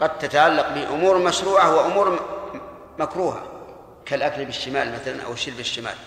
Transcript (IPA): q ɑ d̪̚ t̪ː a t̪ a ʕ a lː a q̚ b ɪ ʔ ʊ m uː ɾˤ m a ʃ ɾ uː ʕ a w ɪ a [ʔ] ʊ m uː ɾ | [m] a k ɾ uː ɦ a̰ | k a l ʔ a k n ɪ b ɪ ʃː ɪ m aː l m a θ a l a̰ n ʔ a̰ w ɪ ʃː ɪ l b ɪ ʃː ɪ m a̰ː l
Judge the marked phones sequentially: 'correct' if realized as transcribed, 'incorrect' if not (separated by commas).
correct, correct